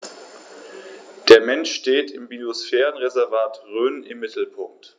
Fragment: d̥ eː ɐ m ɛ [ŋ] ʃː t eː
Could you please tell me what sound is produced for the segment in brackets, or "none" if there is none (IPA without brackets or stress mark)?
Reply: n